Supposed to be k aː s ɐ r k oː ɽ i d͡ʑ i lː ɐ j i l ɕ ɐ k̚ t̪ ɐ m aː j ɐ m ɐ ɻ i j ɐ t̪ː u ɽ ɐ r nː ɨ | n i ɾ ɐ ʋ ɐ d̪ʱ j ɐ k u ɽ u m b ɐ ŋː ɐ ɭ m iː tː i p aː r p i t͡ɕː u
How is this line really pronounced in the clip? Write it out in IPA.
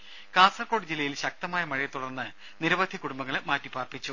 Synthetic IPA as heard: k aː s ɐ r k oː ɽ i d͡ʑ i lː ɐ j i l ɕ ɐ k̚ t̪ ɐ m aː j ɐ m ɐ ɻ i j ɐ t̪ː u ɽ ɐ r nː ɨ | n i ɾ ɐ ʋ ɐ d̪ʱ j ɐ k u ɽ u m b ɐ ŋː ɐ ɭ m aː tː i p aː r p i t͡ɕː u

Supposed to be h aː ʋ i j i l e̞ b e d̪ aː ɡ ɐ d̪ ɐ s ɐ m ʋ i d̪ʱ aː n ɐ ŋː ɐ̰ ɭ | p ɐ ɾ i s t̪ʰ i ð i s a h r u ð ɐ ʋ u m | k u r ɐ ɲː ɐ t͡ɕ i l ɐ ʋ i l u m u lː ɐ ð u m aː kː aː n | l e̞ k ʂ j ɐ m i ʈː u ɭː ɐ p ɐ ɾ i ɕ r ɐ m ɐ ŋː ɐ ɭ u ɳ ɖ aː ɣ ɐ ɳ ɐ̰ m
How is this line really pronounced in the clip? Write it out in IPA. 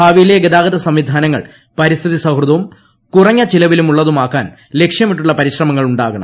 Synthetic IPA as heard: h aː ʋ i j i l e̞ ɡ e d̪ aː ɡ ɐ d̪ ɐ s ɐ m ʋ i d̪ʱ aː n ɐ ŋː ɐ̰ ɭ | p ɐ ɾ i s t̪ʰ i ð i s ɐ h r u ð ɐ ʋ u m | k u r ɐ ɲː ɐ t͡ɕ i l ɐ ʋ i l u m u ɭː ɐ ð u m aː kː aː n | l e̞ k ʂ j ɐ m i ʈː u ɭː ɐ p ɐ ɾ i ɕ r ɐ m ɐ ŋː ɐ ɭ u ɳ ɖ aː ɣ ɐ ɳ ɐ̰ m

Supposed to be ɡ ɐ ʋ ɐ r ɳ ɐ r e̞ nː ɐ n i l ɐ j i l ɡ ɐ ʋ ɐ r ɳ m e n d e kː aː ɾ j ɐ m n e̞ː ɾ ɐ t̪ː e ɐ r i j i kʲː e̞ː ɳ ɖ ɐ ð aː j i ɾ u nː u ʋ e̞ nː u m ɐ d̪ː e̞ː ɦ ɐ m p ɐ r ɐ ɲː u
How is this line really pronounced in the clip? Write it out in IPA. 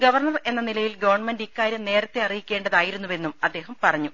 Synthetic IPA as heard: ɡ ɐ ʋ ɐ r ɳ ɐ r e̞ nː ɐ n i l ɐ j i l ɡ ɐ ʋ ɐ r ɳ m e n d i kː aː ɾ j ɐ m n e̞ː ɾ ɐ t̪ː e ɐ r i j i kʲː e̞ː ɳ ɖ ɐ ð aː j i ɾ u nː u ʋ e̞ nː u m ɐ d̪ː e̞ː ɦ ɐ m p ɐ r ɐ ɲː u

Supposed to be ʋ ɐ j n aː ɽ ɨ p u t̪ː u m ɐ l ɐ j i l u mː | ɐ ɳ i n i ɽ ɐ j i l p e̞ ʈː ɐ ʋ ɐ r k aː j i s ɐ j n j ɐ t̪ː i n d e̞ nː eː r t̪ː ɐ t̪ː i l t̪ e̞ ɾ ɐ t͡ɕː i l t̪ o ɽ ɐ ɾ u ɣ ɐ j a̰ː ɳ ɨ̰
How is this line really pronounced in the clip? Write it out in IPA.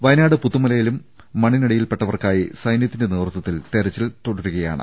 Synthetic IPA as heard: ʋ ɐ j n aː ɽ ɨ p u t̪ː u m ɐ l ɐ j i l u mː | ɐ ɳ i n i ɽ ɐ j i l p e̞ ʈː ɐ ʋ ɐ r k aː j i s ɐ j n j ɐ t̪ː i n d e̞ n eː r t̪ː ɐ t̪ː i l t̪ e̞ ɾ ɐ t͡ɕː i l t̪ o ɽ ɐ ɾ u ɣ ɐ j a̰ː ɳ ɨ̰

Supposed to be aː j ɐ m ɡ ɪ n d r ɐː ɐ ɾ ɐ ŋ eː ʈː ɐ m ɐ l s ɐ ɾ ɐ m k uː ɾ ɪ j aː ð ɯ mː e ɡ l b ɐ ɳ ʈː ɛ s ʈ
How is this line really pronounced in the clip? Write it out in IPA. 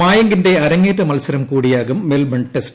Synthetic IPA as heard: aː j ɐ ŋ ɡ ɪ n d r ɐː ɐ ɾ ɐ ŋ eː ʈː ɐ m ɐ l s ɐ ɾ ɐ m k uː ɽ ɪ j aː ɣ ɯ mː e l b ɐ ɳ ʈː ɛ s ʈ

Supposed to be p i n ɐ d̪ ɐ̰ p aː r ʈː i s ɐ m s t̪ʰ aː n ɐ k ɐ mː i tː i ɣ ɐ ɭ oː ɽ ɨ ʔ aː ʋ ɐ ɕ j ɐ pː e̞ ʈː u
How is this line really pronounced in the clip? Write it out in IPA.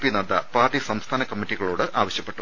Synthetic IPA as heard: p i n ɐ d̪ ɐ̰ p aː r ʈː i s ɐ m s t̪ʰ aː n ɐ k ɐ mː i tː i ɣ ɐ ɭ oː ɽ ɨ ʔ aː ʋ ɐ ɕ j ɐ pː e̞ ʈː u

